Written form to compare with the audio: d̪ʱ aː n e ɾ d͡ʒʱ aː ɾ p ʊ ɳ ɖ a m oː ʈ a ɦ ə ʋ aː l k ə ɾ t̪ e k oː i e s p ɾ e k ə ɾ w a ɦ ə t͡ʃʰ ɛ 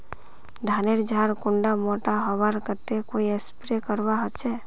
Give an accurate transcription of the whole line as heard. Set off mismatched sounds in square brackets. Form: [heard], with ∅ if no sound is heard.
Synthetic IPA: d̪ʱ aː n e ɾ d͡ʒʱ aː ɾ [k] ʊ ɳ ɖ a m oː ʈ a ɦ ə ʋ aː [ɾ] k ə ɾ t̪ e k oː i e s p ɾ e k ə ɾ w a ɦ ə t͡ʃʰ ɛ